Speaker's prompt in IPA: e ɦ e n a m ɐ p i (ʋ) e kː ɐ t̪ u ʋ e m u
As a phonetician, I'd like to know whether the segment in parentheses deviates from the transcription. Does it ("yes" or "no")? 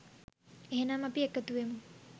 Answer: yes